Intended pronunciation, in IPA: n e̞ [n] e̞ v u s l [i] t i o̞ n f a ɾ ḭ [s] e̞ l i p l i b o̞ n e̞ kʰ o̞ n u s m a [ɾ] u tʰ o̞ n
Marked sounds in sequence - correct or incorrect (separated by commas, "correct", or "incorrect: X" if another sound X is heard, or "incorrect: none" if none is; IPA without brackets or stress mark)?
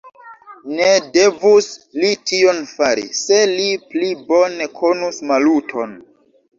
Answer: incorrect: d, correct, correct, incorrect: l